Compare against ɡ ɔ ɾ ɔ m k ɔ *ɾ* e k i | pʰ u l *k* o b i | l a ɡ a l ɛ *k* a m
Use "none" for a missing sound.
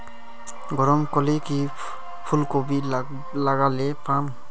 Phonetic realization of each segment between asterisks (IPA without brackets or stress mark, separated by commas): l, k, p